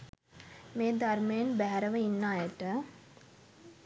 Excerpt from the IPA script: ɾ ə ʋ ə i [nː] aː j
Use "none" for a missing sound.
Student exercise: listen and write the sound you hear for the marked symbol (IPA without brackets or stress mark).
nː